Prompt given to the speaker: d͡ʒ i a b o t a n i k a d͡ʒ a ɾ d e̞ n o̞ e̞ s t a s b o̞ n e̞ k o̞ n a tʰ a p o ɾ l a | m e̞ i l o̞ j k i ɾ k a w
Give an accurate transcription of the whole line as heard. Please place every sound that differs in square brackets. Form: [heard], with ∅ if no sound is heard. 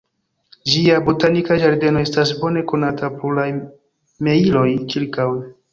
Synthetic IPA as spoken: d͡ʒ i a b o t a n i k a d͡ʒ a ɾ d e̞ n o̞ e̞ s t a s b o̞ n e̞ k o̞ n a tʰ a p o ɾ l a | m e̞ i l o̞ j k i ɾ k a w